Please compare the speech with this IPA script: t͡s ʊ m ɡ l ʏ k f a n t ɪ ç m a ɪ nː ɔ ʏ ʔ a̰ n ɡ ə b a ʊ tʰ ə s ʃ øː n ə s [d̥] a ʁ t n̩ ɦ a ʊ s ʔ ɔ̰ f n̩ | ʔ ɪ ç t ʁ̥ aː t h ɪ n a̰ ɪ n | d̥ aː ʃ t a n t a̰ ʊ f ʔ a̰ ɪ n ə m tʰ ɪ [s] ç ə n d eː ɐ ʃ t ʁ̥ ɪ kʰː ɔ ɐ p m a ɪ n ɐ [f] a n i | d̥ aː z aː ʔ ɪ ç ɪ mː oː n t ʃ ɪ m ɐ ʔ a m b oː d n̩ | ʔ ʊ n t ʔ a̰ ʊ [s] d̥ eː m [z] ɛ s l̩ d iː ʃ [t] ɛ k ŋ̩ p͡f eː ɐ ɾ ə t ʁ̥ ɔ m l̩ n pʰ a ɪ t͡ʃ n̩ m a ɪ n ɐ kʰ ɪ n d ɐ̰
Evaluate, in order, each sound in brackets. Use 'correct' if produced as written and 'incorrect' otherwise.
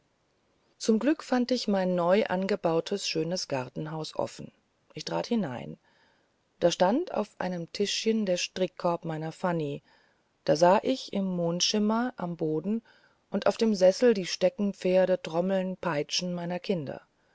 incorrect: ɡ̥, incorrect: ʃ, correct, incorrect: f, correct, correct

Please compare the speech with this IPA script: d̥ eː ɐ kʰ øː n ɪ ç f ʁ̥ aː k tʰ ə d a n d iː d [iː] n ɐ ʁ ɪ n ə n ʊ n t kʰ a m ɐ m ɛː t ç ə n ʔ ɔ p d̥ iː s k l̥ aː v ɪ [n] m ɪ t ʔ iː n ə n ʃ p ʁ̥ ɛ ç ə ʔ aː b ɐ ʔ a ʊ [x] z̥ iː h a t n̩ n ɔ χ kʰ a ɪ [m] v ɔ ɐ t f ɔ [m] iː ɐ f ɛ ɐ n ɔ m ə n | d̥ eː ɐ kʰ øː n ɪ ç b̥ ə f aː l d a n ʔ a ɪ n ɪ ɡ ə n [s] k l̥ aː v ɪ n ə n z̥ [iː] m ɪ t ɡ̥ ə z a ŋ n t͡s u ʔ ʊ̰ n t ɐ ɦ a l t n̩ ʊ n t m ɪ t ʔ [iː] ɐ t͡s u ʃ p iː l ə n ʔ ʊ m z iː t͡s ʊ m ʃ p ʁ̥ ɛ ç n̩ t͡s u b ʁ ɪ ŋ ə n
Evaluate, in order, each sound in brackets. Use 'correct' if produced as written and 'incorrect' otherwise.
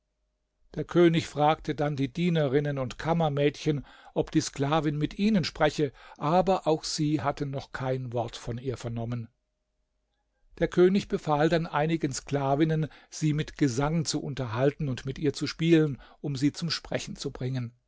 correct, correct, correct, incorrect: n, incorrect: n, correct, correct, correct

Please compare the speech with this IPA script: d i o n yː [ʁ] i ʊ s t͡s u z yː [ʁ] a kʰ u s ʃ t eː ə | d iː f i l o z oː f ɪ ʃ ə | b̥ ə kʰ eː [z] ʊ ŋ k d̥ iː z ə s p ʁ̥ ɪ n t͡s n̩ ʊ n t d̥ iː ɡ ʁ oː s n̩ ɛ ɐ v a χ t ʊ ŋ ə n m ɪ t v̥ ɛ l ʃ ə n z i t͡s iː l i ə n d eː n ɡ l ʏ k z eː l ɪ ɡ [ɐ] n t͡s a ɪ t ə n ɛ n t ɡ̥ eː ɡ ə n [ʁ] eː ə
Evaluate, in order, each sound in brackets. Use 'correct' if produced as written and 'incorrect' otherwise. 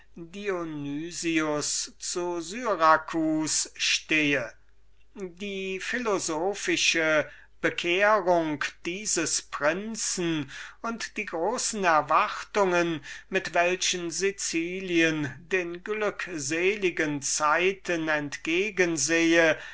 incorrect: z, correct, incorrect: ʁ, incorrect: ə, incorrect: z

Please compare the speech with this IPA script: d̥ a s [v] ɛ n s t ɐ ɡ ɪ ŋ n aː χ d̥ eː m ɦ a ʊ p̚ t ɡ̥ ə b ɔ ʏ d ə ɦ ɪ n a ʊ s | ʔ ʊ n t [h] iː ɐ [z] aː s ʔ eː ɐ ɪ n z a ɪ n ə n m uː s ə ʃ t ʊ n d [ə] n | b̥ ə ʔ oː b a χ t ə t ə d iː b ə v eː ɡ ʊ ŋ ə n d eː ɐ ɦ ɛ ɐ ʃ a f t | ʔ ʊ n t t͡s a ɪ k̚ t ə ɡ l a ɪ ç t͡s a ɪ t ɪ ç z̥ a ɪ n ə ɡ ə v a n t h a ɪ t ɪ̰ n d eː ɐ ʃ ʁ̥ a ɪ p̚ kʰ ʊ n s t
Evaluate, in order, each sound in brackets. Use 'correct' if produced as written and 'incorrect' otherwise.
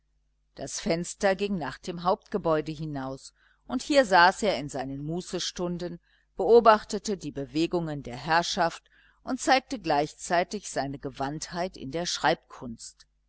incorrect: f, correct, correct, correct

